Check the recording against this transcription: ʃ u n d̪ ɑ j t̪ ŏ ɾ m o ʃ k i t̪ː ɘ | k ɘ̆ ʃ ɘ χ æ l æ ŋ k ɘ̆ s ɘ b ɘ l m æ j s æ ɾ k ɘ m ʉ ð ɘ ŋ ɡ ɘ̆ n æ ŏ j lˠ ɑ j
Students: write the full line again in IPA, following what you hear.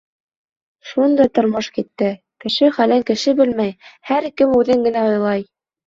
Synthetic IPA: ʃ u n d̪ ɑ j t̪ ŏ ɾ m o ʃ k i t̪ː ɘ | k ɘ̆ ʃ ɘ χ æ l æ ŋ k ɘ̆ ʃ ɘ b ɘ l m æ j h æ ɾ k ɘ m ʉ ð ɘ ŋ ɡ ɘ̆ n æ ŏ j lˠ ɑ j